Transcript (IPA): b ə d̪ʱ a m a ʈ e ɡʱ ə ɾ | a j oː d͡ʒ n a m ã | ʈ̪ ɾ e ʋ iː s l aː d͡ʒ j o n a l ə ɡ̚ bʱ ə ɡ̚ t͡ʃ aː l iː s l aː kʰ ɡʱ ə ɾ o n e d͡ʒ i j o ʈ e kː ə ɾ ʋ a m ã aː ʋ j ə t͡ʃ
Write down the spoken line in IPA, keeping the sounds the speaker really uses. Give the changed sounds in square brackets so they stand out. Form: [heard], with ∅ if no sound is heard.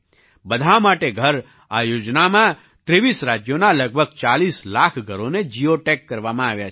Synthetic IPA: b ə d̪ʱ a m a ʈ e ɡʱ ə ɾ | a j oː d͡ʒ n a m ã | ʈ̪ ɾ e ʋ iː s [ɾ] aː d͡ʒ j o n a l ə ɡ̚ bʱ ə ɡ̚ t͡ʃ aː l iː s l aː kʰ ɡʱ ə ɾ o n e d͡ʒ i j o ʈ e kː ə ɾ ʋ a m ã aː ʋ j [a] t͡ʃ

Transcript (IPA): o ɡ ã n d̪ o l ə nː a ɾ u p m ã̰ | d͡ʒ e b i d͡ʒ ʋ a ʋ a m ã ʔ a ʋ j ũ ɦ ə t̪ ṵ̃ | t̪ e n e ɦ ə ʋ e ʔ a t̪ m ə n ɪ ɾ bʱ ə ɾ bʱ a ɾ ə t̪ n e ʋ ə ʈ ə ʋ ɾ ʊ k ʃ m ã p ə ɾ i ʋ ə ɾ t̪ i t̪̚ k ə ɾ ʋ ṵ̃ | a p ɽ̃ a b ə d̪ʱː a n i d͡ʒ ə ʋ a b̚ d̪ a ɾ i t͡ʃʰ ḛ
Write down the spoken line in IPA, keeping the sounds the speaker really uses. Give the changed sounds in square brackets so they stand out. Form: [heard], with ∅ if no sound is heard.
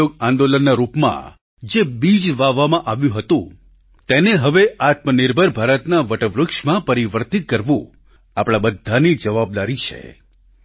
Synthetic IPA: o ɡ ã n d̪ o l ə nː a ɾ u p m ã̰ | d͡ʒ e b i d͡ʒ ʋ a ʋ a m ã ʔ a ʋ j ũ ɦ ə t̪ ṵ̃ | t̪ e n e ɦ ə ʋ e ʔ a t̪ m ə n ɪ ɾ bʱ ə ɾ bʱ a ɾ ə t̪ n [a] ʋ ə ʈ ə ʋ ɾ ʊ k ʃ m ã p ə ɾ i ʋ ə ɾ t̪ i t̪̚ k ə ɾ ʋ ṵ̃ | a p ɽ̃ a b ə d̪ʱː a n i d͡ʒ ə ʋ a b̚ d̪ a ɾ i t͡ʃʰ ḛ

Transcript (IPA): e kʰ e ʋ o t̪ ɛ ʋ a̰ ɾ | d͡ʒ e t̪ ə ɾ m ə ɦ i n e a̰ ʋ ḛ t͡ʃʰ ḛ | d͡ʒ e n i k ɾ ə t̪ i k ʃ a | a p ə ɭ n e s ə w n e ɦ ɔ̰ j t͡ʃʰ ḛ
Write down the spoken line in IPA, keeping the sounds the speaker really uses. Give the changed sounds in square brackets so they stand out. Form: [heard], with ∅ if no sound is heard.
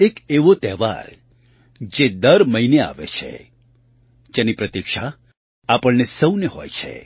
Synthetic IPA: e [k] e ʋ o t̪ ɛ ʋ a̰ ɾ | d͡ʒ e [d̪] ə ɾ m ə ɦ i n e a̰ ʋ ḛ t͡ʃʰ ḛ | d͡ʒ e n i [p] ɾ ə t̪ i k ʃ a | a p ə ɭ n e s ə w n e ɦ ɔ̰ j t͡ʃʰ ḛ

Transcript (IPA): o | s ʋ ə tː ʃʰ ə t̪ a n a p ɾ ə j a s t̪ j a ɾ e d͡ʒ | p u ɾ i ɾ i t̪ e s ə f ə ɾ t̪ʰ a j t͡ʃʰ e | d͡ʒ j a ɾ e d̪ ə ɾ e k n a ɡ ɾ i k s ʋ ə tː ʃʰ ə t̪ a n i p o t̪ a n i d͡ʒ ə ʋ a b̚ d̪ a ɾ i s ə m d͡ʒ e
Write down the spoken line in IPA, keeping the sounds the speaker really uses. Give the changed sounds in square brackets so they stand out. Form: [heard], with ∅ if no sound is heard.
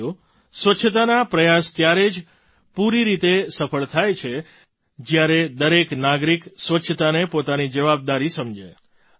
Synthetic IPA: o | s ʋ ə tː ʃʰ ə t̪ a n a p ɾ ə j a s t̪ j a ɾ e d͡ʒ | p u ɾ i ɾ i t̪ e s ə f ə [ɭ] t̪ʰ a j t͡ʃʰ e | d͡ʒ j a ɾ e d̪ ə ɾ e k n a ɡ ɾ i k s ʋ ə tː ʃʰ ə t̪ a n [e] p o t̪ a n i d͡ʒ ə ʋ a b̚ d̪ a ɾ i s ə m d͡ʒ e

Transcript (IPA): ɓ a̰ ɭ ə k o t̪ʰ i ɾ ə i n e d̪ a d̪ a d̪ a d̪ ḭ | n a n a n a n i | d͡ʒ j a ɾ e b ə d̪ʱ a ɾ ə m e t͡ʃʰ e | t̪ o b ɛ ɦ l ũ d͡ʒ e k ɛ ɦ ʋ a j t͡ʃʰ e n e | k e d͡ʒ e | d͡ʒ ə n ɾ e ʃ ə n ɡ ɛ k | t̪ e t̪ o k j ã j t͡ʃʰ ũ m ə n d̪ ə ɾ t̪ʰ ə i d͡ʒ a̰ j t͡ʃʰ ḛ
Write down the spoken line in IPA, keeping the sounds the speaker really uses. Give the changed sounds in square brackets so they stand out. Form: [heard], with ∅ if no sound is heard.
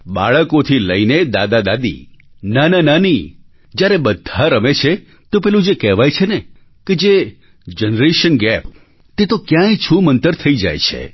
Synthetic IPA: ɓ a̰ ɭ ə k o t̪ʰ i [l] ə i n e d̪ a d̪ a d̪ a d̪ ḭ | n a n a n a n i | d͡ʒ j a ɾ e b ə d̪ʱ a ɾ ə m e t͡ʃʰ e | t̪ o [p] ɛ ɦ l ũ d͡ʒ e k ɛ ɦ ʋ a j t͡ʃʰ e n e | k e d͡ʒ e | d͡ʒ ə n ɾ e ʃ ə n ɡ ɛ [p] | t̪ e t̪ o k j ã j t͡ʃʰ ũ m ə n [t̪] ə ɾ t̪ʰ ə i d͡ʒ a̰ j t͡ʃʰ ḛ

